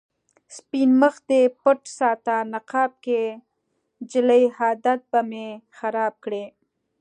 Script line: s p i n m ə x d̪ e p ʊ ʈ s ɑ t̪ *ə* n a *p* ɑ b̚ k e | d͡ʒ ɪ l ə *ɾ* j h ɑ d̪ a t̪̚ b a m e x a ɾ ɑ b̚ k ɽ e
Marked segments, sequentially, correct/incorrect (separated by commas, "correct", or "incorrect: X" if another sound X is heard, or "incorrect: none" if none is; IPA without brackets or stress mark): incorrect: a, incorrect: q, incorrect: none